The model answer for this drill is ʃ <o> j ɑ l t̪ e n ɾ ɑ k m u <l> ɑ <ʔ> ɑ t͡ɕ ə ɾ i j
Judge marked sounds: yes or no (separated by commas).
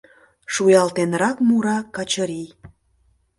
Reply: no, no, no